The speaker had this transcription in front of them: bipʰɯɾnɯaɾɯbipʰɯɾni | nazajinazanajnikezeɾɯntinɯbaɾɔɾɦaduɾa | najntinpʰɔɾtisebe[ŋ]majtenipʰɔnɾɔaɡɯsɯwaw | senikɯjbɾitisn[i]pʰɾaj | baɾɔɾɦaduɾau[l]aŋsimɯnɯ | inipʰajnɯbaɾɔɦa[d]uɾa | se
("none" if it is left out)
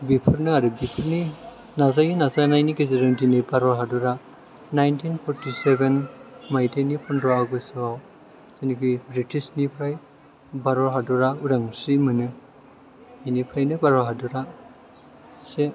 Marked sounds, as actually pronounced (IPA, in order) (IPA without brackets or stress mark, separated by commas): n, i, ɾ, d